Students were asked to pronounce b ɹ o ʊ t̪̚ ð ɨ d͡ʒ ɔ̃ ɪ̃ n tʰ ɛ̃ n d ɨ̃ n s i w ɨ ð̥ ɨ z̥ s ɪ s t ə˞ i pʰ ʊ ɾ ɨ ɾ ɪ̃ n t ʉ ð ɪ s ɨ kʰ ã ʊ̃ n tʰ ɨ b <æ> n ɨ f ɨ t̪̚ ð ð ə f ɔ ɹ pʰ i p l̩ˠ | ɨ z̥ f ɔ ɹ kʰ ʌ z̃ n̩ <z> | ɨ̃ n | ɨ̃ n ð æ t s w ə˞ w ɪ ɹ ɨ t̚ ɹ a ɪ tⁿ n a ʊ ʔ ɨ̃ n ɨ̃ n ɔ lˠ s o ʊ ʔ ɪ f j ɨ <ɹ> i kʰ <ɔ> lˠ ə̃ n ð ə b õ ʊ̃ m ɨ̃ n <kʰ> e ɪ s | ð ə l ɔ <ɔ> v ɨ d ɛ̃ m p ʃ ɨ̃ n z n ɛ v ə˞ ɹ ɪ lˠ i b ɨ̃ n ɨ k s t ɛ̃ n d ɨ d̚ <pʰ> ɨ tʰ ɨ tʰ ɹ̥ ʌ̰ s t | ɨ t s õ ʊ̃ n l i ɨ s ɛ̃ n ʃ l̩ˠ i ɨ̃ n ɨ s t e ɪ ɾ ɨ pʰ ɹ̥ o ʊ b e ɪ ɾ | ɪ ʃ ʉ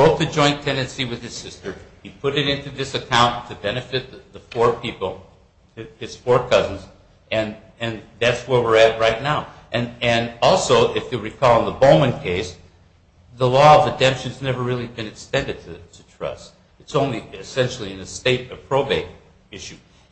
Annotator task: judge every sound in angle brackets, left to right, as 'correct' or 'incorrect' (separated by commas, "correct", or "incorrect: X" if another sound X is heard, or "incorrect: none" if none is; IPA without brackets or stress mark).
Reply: incorrect: ɛ, correct, correct, correct, correct, incorrect: ʌ, incorrect: tʰ